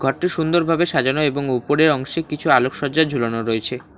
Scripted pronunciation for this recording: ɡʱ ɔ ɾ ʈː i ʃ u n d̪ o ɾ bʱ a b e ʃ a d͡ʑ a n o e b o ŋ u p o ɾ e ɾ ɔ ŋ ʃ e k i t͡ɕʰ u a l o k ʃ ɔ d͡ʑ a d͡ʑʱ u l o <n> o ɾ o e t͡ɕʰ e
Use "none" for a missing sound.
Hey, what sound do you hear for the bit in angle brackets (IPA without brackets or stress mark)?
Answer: n